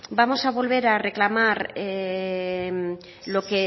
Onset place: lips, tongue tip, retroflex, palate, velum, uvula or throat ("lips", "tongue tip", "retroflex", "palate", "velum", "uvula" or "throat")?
lips